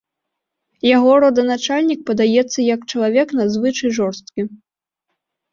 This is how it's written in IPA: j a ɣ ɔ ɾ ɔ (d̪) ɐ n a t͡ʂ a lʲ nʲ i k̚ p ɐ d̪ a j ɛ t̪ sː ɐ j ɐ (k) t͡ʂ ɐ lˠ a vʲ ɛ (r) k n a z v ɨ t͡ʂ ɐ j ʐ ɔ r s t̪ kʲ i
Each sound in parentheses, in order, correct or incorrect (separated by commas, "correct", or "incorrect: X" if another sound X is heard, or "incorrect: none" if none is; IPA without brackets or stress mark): correct, correct, incorrect: none